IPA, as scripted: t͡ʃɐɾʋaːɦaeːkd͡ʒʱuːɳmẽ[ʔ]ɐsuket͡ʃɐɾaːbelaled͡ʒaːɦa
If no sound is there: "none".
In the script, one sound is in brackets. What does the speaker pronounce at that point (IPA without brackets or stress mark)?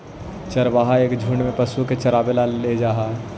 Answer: p